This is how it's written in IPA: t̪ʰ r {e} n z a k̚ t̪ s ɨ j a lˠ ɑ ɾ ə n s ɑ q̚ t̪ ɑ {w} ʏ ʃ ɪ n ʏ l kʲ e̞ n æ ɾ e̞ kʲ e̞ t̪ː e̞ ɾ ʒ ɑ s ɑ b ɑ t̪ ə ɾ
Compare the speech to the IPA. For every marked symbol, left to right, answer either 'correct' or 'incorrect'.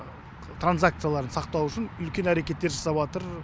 incorrect, correct

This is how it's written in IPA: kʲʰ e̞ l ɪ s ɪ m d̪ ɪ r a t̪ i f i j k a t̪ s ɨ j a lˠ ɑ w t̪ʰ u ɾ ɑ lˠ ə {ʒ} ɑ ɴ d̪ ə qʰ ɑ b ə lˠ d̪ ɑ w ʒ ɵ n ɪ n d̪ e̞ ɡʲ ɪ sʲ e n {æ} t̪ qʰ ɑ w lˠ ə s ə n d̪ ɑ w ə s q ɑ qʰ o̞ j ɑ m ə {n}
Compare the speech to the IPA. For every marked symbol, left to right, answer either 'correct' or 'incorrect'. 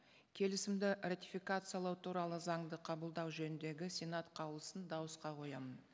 incorrect, incorrect, correct

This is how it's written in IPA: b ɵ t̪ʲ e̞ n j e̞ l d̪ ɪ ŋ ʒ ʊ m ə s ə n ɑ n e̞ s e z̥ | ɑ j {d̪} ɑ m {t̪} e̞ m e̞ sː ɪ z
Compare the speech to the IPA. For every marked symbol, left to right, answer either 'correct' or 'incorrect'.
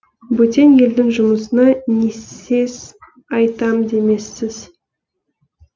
incorrect, incorrect

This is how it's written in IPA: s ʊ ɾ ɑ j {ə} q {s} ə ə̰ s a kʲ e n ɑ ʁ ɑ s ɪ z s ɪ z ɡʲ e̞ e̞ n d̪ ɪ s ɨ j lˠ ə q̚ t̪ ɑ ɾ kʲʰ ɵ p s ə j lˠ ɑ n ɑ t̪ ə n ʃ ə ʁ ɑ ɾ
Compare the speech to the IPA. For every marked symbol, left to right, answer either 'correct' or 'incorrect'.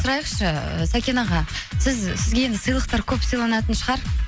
correct, incorrect

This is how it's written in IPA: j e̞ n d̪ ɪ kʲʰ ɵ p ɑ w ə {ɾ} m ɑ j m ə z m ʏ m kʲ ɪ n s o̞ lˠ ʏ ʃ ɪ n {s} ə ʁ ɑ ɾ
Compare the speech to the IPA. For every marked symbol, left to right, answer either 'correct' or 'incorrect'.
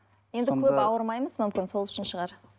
correct, incorrect

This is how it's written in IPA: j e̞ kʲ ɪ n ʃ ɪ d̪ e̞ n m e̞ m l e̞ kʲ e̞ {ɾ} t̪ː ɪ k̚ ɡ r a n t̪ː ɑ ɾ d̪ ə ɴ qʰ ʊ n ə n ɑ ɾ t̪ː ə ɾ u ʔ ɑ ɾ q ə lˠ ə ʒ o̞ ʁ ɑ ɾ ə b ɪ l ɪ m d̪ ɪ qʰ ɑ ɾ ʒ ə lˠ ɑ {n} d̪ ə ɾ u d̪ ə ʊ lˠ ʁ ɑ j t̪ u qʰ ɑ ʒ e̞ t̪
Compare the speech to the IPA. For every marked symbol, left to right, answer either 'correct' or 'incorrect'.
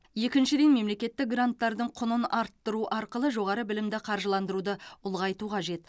incorrect, correct

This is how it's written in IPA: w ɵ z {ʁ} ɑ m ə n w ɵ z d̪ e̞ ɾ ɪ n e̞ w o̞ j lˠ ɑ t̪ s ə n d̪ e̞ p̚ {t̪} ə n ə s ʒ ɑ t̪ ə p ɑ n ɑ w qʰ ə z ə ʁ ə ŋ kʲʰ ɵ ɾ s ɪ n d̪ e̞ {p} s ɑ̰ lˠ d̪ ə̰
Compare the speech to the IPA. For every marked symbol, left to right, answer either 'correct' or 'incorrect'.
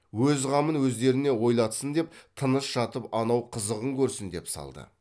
correct, incorrect, correct

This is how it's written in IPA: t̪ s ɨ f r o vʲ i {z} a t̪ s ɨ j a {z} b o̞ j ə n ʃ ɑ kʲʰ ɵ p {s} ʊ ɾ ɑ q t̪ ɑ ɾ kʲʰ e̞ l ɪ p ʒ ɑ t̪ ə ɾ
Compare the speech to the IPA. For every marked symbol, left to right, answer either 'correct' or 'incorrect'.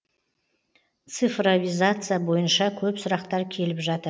correct, incorrect, correct

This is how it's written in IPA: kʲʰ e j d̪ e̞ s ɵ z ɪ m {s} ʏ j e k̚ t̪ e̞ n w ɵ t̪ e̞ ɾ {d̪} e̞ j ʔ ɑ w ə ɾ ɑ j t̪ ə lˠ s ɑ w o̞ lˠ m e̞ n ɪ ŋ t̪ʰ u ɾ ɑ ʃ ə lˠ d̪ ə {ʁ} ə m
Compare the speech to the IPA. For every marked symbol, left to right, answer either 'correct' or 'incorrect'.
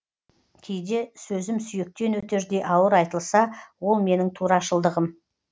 correct, correct, correct

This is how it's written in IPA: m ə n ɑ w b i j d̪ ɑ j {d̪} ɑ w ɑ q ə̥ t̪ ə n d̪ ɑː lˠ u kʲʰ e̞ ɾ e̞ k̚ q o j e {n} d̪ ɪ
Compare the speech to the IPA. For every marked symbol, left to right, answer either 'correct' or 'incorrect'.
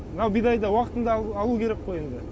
correct, correct

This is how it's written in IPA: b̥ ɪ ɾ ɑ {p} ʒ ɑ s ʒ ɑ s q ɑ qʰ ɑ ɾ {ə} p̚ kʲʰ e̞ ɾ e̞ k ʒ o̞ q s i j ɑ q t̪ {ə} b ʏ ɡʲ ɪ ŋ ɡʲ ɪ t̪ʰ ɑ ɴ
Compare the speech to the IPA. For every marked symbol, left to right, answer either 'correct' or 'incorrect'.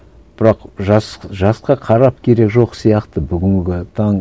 incorrect, incorrect, correct

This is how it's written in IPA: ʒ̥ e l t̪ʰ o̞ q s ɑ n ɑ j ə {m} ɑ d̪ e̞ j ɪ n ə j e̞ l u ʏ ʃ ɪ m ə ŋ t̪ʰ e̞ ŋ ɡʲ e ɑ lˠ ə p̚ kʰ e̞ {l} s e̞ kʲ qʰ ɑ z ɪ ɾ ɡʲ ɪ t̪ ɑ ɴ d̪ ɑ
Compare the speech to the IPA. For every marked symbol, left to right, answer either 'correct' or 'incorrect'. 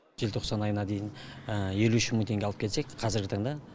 incorrect, correct

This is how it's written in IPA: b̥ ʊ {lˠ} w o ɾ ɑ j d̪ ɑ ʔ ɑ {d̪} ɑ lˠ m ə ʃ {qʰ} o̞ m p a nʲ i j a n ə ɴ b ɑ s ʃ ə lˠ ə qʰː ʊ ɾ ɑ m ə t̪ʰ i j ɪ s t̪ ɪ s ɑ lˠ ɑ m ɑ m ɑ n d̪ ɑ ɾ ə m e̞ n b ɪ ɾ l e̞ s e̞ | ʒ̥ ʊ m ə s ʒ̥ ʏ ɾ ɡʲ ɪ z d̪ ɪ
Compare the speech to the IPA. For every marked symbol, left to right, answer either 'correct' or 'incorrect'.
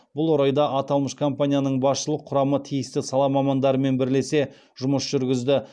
correct, incorrect, incorrect

